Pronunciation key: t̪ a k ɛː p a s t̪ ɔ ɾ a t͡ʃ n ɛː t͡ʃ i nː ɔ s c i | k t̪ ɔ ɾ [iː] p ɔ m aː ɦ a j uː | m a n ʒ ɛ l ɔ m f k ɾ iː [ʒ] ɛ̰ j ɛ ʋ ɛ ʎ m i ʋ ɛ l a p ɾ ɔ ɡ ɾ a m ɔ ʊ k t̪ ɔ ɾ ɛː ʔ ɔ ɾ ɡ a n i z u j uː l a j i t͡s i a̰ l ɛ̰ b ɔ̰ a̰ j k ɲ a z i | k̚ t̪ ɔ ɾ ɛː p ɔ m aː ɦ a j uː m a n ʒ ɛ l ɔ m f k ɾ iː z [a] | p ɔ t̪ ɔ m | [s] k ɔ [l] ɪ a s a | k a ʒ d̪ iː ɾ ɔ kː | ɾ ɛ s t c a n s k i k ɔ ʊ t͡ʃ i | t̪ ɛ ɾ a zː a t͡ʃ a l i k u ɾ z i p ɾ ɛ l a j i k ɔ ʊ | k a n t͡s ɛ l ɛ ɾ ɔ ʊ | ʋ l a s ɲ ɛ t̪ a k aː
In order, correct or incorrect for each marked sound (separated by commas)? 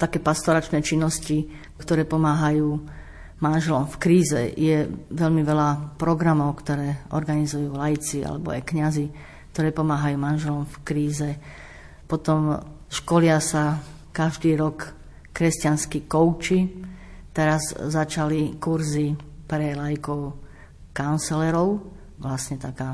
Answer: incorrect, incorrect, incorrect, incorrect, correct